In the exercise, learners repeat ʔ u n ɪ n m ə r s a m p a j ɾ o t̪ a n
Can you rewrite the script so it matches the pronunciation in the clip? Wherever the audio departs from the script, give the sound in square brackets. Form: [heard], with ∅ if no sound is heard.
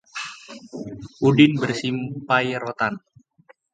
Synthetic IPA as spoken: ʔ u [d] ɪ n [b] ə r s [i] m p a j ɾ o t̪ a n